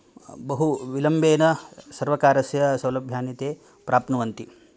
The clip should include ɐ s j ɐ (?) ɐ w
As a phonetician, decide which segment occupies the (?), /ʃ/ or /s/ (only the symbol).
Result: s